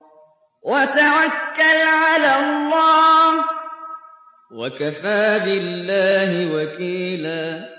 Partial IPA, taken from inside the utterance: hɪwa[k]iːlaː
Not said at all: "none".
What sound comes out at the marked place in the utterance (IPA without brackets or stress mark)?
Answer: k